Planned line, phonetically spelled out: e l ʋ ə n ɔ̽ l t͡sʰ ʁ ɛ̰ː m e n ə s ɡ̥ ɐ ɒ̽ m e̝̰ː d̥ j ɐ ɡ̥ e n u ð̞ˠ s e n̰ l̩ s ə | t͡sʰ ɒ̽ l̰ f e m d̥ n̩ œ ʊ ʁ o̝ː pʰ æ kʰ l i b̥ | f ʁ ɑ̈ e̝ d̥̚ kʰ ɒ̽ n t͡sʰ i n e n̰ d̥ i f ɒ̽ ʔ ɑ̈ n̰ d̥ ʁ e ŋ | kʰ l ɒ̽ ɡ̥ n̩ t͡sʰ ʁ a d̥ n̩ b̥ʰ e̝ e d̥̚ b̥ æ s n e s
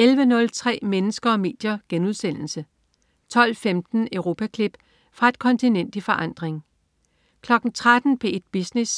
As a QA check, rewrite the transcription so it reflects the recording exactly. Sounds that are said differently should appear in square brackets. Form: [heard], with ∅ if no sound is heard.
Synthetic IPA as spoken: e l ʋ ə n ɔ̽ l t͡sʰ ʁ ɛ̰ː m e n ə s ɡ̥ ɐ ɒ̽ m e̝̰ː d̥ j ɐ ɡ̥ e n u ð̞ˠ s e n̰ l̩ s ə | t͡sʰ ɒ̽ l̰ f e m d̥ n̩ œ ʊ ʁ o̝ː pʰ æ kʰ l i b̥ | f ʁ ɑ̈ e̝ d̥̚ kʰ ɒ̽ n t͡sʰ i n e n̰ d̥ i f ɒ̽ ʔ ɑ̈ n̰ d̥ ʁ e ŋ | kʰ l ɒ̽ ɡ̥ n̩ t͡sʰ ʁ a d̥ n̩ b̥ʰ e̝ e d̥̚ b̥ [i] s n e s